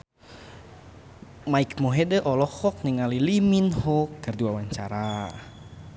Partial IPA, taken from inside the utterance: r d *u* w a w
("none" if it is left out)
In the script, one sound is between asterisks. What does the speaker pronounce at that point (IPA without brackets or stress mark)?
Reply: u